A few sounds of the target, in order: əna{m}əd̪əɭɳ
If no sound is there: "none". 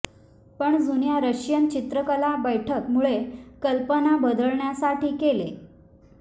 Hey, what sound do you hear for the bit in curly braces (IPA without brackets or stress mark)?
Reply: b